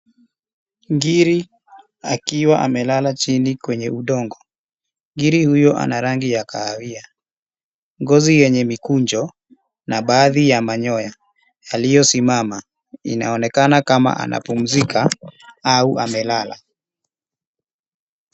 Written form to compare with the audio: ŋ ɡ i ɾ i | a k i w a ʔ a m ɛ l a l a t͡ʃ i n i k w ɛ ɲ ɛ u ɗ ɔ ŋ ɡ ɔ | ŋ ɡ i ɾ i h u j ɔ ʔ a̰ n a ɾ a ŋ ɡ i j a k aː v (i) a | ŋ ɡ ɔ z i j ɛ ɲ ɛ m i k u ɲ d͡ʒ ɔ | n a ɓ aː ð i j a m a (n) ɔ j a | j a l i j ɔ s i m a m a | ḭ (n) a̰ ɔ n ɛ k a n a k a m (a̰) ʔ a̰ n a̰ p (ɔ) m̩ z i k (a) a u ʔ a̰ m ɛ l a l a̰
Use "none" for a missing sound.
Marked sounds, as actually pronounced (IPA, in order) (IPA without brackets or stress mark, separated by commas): i, ɲ, n, a̰, u, a